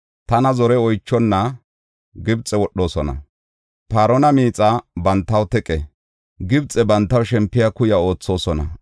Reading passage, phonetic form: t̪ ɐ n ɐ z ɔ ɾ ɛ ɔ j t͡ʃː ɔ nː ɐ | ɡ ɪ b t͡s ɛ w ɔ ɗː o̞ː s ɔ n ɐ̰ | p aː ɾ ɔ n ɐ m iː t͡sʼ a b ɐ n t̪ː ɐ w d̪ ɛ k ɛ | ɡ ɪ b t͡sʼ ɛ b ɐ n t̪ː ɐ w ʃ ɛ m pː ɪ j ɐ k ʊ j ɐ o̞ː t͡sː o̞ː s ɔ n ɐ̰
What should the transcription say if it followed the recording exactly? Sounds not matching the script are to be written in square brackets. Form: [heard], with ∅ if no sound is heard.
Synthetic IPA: t̪ ɐ n ɐ z ɔ ɾ ɛ ɔ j t͡ʃː ɔ nː ɐ | ɡ ɪ b [t͡sʼ] ɛ w ɔ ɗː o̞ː s ɔ n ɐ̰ | p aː ɾ ɔ n ɐ m iː t͡sʼ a b ɐ n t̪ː ɐ w [t̪] ɛ [kʼ] ɛ | ɡ ɪ b t͡sʼ ɛ b ɐ n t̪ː ɐ w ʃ ɛ m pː ɪ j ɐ k ʊ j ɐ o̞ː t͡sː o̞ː s ɔ n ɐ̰